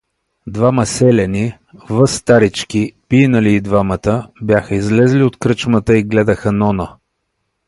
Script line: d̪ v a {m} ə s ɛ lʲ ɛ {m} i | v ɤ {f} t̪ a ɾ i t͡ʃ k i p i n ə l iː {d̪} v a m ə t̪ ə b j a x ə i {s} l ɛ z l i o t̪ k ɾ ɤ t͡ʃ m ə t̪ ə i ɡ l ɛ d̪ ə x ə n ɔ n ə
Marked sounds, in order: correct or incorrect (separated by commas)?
correct, incorrect, incorrect, correct, incorrect